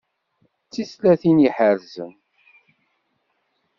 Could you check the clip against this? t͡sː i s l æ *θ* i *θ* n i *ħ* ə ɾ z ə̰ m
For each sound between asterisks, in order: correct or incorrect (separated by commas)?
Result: correct, incorrect, correct